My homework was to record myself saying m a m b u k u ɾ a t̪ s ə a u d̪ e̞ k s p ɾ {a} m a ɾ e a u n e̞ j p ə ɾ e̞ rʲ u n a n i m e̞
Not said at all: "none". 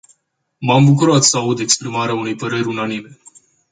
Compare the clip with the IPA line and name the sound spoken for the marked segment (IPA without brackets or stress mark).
i